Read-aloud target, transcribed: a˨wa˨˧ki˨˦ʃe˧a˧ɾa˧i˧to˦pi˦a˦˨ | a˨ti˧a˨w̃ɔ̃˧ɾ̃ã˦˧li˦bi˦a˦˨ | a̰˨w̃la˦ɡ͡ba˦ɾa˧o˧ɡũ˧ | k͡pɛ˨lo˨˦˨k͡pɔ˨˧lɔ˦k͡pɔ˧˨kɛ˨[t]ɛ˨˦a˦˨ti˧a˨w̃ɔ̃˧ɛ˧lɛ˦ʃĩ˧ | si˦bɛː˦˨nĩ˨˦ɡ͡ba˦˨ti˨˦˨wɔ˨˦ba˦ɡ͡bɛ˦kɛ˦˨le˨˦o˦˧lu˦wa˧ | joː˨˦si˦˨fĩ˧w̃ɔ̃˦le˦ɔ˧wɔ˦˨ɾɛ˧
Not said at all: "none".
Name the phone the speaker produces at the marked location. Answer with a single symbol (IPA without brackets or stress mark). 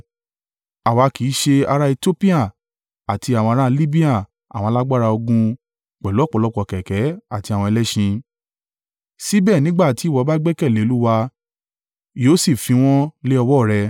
k